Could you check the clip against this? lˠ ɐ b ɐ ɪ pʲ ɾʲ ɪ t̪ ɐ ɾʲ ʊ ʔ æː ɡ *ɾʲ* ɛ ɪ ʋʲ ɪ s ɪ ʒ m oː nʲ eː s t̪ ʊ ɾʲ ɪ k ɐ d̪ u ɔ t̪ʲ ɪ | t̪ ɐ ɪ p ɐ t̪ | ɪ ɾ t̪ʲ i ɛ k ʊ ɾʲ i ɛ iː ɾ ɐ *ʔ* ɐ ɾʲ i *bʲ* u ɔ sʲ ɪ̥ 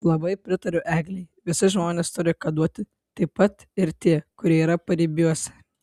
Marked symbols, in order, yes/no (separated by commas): no, no, yes